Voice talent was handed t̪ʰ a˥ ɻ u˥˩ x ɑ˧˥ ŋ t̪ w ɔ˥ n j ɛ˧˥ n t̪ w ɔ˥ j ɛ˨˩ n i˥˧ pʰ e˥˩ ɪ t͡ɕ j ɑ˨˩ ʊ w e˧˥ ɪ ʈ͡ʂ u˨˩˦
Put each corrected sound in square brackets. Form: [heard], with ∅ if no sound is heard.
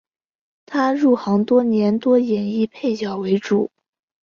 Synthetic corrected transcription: t̪ʰ a˥ ɻ u˥˩ x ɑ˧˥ ŋ t̪ w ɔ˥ n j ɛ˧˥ n t̪ w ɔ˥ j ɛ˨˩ n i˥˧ pʰ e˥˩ ɪ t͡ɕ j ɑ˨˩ ʊ w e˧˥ ɪ ʈ͡ʂ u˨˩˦